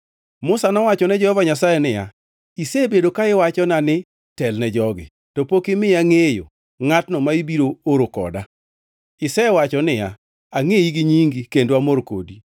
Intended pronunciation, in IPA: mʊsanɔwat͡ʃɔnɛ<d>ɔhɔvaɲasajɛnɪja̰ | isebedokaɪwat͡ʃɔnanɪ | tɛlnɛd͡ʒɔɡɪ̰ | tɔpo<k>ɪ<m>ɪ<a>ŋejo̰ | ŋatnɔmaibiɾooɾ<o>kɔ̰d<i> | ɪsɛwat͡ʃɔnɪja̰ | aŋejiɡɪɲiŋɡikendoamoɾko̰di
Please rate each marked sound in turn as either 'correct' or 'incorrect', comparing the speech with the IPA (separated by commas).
incorrect, correct, correct, correct, correct, incorrect